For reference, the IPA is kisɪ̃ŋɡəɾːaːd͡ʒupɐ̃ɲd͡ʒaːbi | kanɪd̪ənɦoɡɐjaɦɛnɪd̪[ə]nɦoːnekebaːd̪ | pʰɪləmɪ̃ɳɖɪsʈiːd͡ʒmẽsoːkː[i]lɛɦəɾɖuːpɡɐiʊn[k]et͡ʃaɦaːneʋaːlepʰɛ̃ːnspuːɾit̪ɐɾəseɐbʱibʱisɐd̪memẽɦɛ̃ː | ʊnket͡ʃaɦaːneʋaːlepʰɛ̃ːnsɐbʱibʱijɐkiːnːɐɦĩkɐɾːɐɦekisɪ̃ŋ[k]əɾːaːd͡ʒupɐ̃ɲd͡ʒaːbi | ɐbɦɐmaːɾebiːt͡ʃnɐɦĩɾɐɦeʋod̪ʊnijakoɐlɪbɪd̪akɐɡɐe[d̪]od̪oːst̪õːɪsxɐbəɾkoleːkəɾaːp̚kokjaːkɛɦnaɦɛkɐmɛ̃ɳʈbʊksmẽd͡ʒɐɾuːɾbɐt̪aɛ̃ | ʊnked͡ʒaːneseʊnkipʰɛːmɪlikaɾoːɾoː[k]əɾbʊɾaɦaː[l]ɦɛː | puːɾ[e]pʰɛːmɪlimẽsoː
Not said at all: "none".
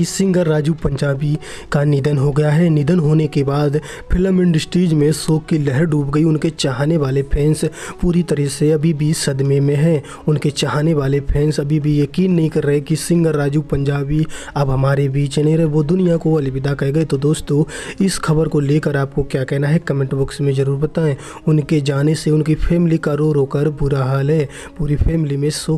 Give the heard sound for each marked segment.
ə, i, k, ɡ, t̪, k, l, i

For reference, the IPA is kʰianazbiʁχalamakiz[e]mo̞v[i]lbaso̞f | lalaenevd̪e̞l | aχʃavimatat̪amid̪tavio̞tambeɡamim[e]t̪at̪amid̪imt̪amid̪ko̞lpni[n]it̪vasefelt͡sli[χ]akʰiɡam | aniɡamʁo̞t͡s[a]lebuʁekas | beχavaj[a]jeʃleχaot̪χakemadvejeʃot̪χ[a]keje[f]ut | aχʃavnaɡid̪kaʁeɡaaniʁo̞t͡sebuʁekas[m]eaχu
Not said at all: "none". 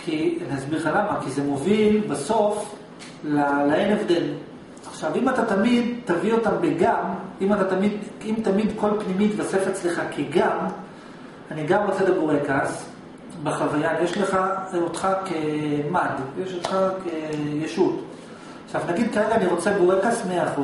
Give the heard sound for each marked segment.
e, i, a, m, χ, e, a, a, ʃ, m

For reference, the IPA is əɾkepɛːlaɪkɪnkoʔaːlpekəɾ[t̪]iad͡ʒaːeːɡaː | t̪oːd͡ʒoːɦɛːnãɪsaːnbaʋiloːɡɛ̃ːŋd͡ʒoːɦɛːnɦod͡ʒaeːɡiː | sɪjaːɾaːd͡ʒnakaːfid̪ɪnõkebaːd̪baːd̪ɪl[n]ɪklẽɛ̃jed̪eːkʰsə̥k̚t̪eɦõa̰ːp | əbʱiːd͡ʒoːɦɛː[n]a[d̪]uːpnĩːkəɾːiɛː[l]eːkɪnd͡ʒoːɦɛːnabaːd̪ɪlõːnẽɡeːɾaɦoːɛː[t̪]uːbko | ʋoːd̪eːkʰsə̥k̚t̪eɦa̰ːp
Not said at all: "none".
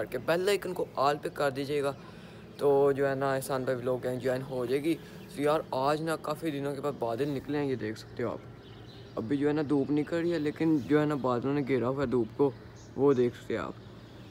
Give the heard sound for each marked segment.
d̪, n, n, d̪, l, d̪

